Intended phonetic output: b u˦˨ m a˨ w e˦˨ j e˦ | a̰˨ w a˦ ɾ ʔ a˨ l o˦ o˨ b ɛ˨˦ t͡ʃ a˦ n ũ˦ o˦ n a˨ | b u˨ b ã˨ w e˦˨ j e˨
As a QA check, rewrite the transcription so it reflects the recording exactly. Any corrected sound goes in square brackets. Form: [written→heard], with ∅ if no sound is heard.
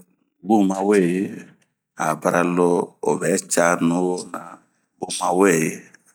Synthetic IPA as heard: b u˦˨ m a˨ w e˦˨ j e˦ | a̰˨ [w→b] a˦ ɾ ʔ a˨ l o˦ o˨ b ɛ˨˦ t͡ʃ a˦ n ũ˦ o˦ n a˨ | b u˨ [b→m] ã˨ w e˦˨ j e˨